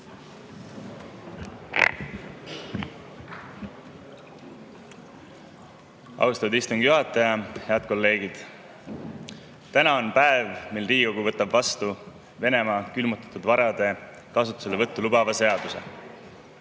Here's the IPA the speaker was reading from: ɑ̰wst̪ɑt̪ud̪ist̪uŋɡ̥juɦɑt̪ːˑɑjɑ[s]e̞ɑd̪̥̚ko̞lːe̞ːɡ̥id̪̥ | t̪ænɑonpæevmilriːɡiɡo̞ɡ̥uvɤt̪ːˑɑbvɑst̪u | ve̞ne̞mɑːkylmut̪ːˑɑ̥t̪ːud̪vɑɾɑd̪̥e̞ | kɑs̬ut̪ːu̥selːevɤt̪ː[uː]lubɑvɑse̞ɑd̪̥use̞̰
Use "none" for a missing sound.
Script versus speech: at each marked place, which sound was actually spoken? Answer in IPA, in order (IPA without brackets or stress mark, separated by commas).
h, u